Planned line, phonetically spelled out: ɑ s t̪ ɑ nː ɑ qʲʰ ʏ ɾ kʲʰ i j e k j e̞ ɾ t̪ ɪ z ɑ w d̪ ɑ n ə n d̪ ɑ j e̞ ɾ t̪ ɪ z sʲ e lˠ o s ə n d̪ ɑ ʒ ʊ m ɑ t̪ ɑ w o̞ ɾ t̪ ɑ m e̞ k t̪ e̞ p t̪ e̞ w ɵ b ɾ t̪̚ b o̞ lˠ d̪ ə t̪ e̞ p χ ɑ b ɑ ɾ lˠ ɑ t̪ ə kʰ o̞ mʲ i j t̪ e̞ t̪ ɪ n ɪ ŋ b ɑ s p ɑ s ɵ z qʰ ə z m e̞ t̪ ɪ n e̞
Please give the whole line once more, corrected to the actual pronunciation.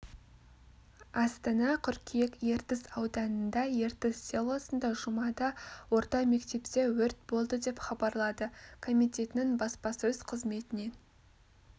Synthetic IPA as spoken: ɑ s t̪ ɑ n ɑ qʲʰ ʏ ɾ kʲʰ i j e k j e̞ ɾ t̪ ɪ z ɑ w d̪ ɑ n ə n d̪ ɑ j e̞ ɾ t̪ ɪ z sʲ e lˠ o s ə n d̪ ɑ ʒ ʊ m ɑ d̪ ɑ w o̞ ɾ t̪ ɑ m e̞ k t̪ e̞ p t̪ e̞ w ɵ ɾ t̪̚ b o̞ lˠ d̪ ə d̪ e̞ p χ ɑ b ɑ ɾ lˠ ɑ d̪ ə kʰ o̞ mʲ i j t̪ e̞ t̪ ɪ n ɪ ŋ b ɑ s p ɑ s ɵ z qʰ ə z m e̞ t̪ ɪ n e̞